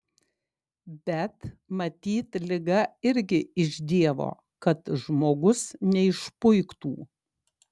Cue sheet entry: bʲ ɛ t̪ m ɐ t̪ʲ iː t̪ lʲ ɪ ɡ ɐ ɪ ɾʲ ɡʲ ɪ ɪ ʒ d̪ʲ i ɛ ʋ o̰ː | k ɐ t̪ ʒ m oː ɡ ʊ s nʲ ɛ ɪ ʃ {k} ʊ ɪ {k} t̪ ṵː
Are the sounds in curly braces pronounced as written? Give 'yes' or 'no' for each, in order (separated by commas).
no, yes